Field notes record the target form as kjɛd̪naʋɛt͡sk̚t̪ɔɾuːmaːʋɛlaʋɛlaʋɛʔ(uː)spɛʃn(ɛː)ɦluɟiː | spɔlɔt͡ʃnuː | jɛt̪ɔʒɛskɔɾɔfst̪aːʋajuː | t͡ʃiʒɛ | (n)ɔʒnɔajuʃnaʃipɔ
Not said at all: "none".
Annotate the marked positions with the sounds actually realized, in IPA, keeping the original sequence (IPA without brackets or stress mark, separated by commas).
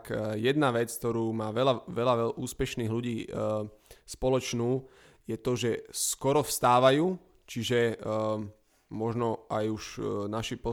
uː, iː, m